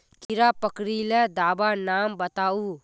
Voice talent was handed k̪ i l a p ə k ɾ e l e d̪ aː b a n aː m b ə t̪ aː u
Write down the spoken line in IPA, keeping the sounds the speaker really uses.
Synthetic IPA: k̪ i ɾ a p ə k ɾ i l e d̪ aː b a n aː m b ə t̪ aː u